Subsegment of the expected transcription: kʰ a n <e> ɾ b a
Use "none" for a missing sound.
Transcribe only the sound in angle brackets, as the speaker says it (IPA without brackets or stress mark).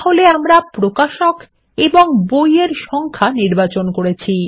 i